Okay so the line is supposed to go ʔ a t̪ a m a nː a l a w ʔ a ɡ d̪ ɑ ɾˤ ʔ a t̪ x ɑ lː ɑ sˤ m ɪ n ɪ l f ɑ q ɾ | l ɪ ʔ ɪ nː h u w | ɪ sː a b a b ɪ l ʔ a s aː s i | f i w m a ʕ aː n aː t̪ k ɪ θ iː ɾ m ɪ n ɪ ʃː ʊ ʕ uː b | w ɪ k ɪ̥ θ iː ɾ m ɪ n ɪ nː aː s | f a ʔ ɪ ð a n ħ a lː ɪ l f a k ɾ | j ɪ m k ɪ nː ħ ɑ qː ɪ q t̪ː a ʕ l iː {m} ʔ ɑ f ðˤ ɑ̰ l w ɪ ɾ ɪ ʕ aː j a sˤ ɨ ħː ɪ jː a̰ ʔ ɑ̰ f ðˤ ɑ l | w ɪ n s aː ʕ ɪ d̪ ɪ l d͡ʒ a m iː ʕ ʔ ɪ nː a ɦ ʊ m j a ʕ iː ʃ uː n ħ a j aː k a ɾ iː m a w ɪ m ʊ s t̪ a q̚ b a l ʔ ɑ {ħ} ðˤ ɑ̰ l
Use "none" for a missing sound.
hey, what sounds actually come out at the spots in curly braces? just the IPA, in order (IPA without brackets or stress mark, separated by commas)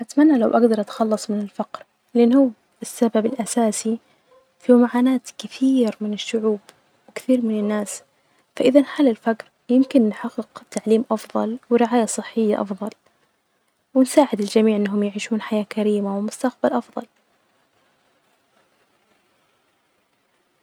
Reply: m, f